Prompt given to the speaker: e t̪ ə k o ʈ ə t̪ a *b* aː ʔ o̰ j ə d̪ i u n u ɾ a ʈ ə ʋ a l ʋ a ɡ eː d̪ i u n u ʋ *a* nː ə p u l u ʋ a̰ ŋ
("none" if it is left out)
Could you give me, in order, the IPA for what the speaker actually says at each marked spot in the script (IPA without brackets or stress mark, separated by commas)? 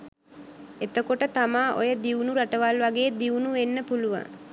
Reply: m, e